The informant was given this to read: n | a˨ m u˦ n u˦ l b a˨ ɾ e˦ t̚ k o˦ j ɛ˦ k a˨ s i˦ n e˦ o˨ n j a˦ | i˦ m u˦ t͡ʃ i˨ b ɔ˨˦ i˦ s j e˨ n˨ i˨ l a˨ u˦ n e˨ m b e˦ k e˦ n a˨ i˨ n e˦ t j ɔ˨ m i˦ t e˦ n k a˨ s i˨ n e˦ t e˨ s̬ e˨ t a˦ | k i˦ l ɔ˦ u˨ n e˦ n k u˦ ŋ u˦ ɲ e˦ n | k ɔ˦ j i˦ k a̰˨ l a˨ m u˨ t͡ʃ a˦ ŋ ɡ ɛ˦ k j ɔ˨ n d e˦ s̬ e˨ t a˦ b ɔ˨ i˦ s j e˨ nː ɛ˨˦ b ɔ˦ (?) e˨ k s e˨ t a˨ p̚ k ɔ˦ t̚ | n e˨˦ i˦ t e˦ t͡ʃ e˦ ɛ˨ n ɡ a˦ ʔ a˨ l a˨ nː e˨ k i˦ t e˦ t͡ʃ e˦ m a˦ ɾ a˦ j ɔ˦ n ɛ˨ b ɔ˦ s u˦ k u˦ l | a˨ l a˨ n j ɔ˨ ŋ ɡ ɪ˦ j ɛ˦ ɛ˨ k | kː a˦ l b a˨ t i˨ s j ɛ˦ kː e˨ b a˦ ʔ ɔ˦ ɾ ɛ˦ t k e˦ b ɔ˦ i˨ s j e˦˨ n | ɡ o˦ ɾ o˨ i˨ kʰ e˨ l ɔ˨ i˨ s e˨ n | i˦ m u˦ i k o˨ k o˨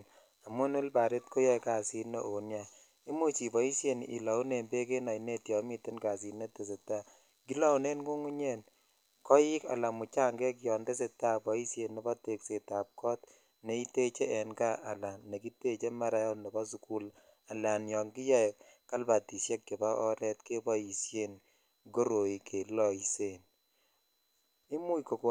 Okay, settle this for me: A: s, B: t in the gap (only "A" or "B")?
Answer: B